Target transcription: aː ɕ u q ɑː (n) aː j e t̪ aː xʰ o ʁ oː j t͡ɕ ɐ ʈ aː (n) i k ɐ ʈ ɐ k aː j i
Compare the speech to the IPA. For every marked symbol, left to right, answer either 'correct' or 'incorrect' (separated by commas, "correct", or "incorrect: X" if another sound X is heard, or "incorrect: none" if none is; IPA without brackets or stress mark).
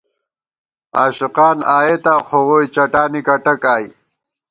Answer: correct, correct